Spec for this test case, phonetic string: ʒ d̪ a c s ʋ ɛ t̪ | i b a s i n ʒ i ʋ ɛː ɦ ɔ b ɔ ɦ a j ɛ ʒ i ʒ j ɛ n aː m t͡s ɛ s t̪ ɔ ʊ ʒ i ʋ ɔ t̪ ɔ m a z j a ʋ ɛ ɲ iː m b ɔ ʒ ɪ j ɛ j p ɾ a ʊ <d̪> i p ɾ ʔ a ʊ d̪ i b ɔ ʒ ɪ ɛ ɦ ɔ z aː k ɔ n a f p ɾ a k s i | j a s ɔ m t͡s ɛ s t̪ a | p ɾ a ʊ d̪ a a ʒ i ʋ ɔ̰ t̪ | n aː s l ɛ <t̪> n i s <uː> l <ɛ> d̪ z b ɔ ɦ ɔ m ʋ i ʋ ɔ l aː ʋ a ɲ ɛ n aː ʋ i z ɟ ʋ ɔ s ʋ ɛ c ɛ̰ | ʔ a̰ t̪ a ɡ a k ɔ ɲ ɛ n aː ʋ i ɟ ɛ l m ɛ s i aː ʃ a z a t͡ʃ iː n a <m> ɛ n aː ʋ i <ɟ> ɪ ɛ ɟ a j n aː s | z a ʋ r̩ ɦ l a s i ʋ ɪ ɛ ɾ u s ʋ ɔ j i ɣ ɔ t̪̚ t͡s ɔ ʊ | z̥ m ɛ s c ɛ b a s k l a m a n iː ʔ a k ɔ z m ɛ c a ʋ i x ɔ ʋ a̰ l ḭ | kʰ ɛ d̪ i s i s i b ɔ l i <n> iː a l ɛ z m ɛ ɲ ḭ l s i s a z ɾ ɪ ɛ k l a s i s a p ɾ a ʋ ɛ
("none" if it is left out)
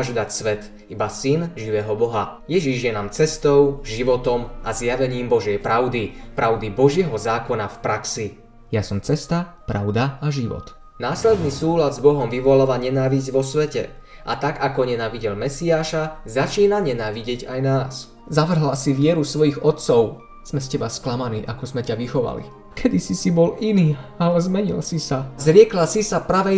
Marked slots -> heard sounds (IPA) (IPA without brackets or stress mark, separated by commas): d̪, d̪, uː, a, ɲ, ɟ, n